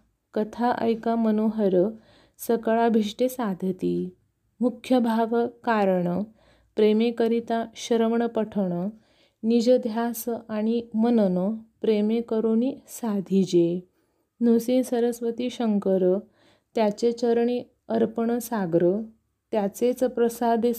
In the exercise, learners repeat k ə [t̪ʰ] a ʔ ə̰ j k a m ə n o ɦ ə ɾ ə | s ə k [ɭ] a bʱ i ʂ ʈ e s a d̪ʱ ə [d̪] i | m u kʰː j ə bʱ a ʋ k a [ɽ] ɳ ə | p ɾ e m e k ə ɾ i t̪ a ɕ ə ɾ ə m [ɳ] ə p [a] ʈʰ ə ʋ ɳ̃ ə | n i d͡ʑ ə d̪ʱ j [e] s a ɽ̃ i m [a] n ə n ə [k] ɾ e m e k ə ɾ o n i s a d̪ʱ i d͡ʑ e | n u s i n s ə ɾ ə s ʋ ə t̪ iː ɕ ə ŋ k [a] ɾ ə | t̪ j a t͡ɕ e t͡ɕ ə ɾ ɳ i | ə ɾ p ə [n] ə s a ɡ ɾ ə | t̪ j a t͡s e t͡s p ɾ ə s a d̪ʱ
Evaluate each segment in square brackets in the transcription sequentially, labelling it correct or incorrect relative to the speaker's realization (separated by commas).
correct, correct, incorrect, incorrect, correct, incorrect, incorrect, incorrect, incorrect, incorrect, incorrect